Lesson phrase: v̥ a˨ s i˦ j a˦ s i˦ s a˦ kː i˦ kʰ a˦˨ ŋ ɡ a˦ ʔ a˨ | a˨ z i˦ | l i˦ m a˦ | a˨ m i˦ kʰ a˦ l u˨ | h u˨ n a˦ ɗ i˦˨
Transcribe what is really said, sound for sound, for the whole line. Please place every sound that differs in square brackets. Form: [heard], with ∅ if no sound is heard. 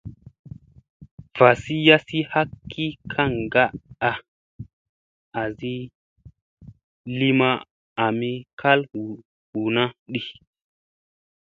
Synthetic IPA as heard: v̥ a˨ s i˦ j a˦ s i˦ [h] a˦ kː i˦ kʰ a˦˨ ŋ ɡ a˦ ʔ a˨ | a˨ z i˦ | l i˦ m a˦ | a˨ m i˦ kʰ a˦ l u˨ | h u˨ n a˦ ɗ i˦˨